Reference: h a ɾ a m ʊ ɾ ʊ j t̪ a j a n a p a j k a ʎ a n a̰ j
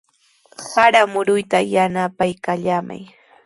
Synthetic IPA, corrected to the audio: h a ɾ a m ʊ ɾ ʊ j t̪ a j a n a p a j k a ʎ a m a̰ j